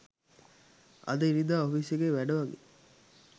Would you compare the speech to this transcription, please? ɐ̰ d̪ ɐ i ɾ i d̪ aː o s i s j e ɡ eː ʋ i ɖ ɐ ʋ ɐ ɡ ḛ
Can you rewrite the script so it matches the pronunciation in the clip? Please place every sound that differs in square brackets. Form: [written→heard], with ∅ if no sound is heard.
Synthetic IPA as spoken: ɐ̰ d̪ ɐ i ɾ i d̪ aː o [s→f] i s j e ɡ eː ʋ [i→æ] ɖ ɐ ʋ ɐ ɡ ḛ